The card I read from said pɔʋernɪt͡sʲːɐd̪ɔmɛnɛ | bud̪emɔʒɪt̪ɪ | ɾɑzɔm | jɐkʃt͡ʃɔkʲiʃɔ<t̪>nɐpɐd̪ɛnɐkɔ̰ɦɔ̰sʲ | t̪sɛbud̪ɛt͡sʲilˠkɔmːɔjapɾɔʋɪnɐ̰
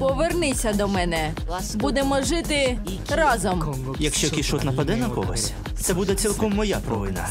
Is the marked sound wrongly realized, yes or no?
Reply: no